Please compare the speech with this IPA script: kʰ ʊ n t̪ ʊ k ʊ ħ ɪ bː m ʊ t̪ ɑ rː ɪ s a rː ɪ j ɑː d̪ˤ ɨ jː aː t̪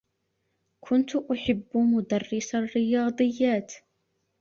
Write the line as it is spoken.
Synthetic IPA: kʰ ʊ n t̪ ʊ ʔ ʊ ħ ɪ bː m ʊ d̪ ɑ rː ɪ s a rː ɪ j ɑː d̪ˤ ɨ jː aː t̪